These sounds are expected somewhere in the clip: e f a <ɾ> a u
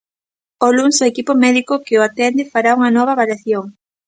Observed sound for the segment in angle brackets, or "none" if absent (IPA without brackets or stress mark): ɾ